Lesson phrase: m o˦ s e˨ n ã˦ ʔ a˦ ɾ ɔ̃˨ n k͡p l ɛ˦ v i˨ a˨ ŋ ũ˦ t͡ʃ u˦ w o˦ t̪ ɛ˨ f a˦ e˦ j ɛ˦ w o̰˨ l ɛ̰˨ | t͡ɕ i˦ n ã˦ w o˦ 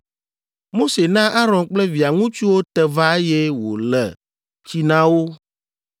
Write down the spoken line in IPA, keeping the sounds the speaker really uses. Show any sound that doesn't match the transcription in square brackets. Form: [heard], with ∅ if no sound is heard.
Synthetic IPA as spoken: m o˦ s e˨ n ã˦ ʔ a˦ ɾ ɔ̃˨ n k͡p l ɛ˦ v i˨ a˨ ŋ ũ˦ t͡ʃ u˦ w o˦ t̪ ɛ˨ [v] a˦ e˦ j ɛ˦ w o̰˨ l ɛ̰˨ | t͡ɕ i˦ n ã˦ w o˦